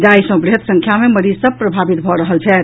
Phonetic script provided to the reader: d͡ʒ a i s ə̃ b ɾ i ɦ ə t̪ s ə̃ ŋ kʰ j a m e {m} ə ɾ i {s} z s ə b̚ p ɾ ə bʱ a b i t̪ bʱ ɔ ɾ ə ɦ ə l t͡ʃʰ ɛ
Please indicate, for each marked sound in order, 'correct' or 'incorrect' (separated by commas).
correct, incorrect